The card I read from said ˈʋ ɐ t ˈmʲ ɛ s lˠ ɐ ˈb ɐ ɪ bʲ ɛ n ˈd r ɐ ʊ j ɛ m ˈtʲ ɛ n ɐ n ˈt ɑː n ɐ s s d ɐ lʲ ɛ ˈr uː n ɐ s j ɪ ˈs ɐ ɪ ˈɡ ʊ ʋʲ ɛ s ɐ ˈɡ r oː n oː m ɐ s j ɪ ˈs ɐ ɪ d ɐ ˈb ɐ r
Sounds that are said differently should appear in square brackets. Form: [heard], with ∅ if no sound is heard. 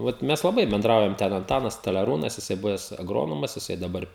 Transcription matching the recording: ˈʋ ɐ t ˈmʲ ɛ s lˠ ɐ ˈb ɐ ɪ bʲ ɛ n ˈd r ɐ ʊ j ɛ m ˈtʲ ɛ n ɐ n ˈt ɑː n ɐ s s [t] ɐ lʲ ɛ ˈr uː n ɐ s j ɪ ˈs ɐ ɪ [ˈb] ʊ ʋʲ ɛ s ɐ ˈɡ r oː n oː m ɐ s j ɪ ˈs ɐ ɪ d ɐ ˈb ɐ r